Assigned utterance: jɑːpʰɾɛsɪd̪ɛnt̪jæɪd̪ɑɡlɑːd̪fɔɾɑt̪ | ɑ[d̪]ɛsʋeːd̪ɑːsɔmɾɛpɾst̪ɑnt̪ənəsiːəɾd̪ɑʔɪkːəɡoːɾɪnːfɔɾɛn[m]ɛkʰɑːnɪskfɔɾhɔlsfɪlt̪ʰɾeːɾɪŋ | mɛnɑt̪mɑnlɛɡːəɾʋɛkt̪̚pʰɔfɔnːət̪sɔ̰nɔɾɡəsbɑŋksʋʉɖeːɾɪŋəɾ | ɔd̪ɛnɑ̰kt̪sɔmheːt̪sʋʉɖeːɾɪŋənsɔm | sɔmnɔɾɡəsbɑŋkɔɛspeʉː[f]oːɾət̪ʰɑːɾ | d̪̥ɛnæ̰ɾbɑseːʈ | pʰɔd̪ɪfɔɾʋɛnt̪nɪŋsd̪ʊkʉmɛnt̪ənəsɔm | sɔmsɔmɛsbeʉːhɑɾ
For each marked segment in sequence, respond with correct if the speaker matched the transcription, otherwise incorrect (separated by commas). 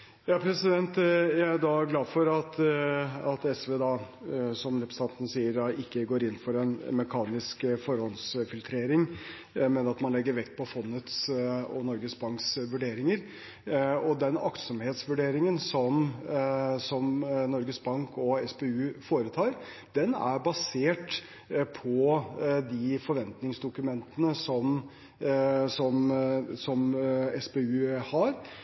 incorrect, correct, correct